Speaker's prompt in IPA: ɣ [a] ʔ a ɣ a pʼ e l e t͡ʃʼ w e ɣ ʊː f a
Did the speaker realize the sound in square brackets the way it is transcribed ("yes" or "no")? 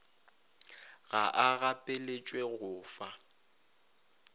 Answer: yes